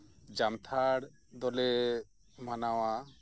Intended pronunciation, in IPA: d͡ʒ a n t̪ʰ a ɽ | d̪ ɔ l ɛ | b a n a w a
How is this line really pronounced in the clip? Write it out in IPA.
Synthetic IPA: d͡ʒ a m t̪ʰ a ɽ | d̪ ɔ l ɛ | m a n a w a